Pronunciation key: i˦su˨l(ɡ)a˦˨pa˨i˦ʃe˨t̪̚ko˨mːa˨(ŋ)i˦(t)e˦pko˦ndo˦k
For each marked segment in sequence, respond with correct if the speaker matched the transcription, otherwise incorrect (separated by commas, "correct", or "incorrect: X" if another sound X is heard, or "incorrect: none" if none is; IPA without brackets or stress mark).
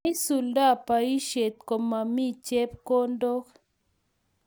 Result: incorrect: d, incorrect: m, incorrect: t͡ʃ